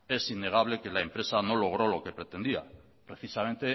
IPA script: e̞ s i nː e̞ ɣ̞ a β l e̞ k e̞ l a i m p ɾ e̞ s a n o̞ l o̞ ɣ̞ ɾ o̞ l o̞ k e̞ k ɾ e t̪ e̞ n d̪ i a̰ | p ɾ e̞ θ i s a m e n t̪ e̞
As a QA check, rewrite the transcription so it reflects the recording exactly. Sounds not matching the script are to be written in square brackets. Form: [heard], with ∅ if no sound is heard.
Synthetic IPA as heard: e̞ s i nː e̞ ɣ̞ a β l e̞ k e̞ l a [e] m p ɾ e̞ s a n o̞ l o̞ ɣ̞ ɾ o̞ l o̞ k e̞ [p] ɾ e t̪ e̞ n d̪ i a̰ | p ɾ e̞ θ i s a m e n t̪ e̞